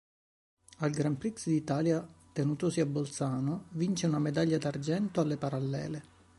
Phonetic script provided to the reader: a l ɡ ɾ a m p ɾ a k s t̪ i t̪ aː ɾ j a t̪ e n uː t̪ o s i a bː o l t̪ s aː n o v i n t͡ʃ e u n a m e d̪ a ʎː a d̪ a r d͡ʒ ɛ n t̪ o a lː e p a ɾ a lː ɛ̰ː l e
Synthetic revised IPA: a l ɡ ɾ a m p ɾ i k s d̪ i t̪ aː l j a t̪ e n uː t̪ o s i a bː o l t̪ s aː n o v i n t͡ʃ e u n a m e d̪ a ʎː a d̪ a r d͡ʒ ɛ n t̪ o a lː e p a ɾ a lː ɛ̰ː l e